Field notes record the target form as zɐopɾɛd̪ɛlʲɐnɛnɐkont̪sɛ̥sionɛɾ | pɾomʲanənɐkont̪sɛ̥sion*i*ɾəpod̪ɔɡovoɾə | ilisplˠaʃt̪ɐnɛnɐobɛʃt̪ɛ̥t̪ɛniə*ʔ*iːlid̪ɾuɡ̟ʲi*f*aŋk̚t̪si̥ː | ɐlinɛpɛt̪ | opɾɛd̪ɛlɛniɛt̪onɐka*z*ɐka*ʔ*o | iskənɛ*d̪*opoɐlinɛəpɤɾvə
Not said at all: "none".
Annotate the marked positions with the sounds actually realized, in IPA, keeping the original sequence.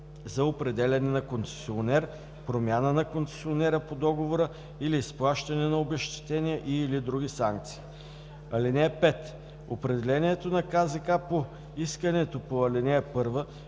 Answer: ɛ, ʔ, s, z, p, t̪

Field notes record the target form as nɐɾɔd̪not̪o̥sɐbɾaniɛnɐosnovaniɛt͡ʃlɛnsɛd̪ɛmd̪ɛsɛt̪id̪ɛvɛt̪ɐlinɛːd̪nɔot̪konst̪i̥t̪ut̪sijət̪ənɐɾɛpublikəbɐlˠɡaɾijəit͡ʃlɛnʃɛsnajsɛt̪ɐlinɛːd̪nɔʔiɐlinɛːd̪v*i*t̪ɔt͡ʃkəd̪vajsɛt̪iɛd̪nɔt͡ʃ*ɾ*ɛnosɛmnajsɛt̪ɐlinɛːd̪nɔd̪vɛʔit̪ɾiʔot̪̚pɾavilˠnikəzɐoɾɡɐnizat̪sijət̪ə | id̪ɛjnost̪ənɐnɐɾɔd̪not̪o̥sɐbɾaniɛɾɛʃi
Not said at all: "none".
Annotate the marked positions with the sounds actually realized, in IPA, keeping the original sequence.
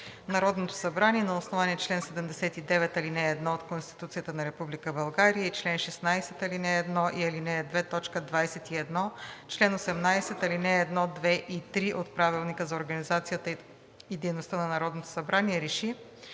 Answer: ɛ, l

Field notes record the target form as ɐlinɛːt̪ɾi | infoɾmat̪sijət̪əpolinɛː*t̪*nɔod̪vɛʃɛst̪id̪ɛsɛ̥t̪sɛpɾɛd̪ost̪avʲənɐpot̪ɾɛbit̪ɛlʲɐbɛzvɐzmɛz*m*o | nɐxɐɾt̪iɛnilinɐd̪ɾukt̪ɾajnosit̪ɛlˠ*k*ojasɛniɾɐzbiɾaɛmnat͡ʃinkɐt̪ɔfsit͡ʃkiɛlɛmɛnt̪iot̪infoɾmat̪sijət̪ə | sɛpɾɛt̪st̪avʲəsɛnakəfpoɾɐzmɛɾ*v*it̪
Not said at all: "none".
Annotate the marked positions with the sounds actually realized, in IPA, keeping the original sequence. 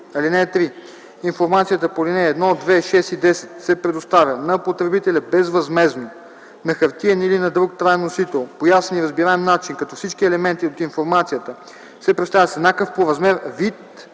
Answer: d̪, n, p, v

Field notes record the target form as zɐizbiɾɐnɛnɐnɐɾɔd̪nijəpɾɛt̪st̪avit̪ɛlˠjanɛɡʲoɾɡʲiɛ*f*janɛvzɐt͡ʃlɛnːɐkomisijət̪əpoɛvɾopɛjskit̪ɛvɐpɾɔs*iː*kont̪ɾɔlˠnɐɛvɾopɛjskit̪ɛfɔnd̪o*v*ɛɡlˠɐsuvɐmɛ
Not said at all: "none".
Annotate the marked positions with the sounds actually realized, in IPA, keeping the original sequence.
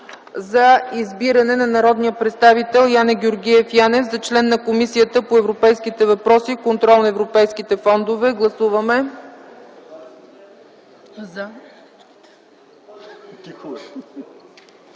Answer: f, i, v

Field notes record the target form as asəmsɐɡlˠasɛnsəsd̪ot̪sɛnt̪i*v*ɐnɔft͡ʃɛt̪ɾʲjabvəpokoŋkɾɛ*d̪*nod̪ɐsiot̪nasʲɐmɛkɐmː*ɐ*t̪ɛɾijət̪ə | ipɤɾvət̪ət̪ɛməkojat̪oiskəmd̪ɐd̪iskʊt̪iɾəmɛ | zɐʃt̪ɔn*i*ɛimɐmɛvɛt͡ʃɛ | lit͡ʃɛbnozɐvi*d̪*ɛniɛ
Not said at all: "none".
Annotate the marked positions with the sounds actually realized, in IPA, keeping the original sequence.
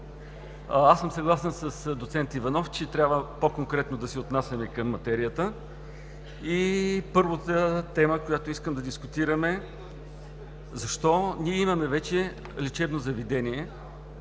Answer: v, t̪, ɐ, i, d̪

